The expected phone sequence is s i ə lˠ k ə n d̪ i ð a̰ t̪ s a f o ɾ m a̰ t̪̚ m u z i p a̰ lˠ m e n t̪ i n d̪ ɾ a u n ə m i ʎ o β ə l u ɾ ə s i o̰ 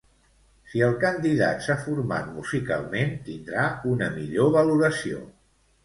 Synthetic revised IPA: s i ə lˠ k ə n d̪ i ð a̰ t̪ s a f u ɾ m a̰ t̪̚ m u z i k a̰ lˠ m e n t̪ i n d̪ ɾ a u n ə m i ʎ o β ə l u ɾ ə s i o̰